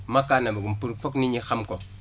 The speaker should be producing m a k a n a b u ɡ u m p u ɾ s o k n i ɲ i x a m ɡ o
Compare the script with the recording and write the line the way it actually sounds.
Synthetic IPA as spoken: m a k a n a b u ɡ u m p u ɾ f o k n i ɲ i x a m k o